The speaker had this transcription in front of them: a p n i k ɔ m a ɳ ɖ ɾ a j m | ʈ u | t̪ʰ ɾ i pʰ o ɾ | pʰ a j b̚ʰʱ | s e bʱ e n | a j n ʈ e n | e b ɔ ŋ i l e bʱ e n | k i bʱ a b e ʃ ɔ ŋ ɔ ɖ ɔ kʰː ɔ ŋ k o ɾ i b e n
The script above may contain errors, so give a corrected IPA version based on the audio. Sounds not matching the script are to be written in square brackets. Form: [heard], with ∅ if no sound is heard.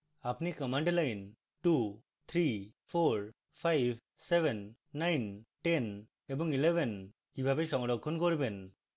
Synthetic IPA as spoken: a p n i k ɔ m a ɳ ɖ [l] a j [n] | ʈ u | t̪ʰ ɾ i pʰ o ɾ | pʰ a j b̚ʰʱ | s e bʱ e [nː] | a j n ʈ e n | e b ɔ ŋ i l e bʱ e n | k i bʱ a b e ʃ ɔ ŋ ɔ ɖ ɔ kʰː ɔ [n] k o ɾ i b e n